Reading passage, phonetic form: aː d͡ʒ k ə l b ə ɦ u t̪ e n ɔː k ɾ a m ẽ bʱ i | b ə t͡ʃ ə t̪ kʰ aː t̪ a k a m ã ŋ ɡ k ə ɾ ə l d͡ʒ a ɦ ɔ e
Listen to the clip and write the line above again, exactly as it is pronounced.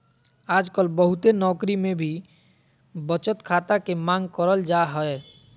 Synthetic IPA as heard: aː d͡ʒ k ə l b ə ɦ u t̪ e n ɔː k ɾ i m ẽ bʱ i | b ə t͡ʃ ə t̪ kʰ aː t̪ a k e m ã ŋ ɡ k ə ɾ ə l d͡ʒ a ɦ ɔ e